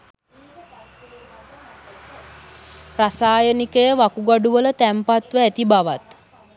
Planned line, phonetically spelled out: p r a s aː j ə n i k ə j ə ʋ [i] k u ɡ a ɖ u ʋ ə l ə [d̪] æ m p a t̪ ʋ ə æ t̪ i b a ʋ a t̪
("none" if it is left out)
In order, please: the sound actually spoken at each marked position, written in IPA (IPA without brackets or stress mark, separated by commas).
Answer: a, t̪